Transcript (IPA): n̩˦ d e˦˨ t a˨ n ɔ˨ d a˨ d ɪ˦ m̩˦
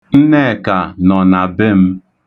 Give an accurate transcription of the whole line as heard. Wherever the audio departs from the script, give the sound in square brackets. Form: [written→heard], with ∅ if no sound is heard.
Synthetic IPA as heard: n̩˦ [d→n] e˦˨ [t→k] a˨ n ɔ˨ [d→n] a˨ [d→b] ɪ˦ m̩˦